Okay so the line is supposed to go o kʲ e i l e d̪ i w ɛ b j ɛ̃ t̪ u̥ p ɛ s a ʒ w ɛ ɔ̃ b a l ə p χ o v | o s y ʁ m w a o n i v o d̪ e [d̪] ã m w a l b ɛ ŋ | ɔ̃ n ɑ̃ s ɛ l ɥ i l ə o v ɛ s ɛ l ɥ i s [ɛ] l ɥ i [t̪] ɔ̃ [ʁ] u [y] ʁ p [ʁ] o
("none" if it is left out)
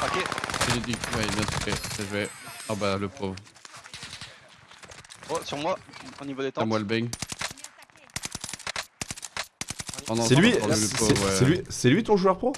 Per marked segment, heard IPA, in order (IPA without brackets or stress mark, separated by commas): t̪, ɛ, t̪, ʒ, œ, χ